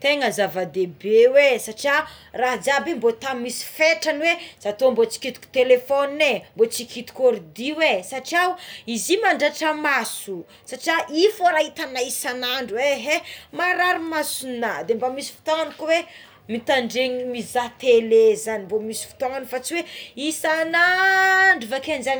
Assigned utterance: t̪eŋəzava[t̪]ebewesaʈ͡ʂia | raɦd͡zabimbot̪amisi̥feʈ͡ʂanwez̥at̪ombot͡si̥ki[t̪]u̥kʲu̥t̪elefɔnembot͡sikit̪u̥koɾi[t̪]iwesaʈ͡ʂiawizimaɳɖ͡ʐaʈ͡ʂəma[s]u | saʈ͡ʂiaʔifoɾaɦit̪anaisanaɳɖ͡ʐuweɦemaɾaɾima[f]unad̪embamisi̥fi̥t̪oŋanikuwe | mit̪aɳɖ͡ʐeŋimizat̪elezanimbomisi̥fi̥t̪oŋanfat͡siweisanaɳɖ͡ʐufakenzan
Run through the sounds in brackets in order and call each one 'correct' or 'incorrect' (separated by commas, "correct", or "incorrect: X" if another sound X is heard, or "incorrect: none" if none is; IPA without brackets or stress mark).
incorrect: d̪, correct, incorrect: d̪, correct, incorrect: s